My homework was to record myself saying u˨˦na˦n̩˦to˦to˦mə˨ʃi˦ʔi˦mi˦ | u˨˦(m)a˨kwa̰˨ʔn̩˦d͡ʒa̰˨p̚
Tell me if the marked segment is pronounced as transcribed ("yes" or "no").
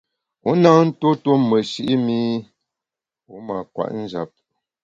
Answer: yes